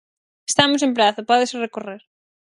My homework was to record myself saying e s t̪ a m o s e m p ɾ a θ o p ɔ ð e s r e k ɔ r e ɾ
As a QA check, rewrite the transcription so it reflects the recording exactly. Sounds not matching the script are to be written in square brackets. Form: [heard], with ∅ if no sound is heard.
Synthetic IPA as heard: e s t̪ a m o s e m p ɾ a θ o p ɔ ð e s r e k [o] r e ɾ